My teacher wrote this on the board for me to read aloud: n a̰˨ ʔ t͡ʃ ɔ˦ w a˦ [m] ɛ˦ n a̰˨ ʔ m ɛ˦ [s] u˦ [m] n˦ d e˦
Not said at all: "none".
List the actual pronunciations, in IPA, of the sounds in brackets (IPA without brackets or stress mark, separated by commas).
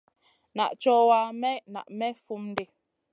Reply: m, f, m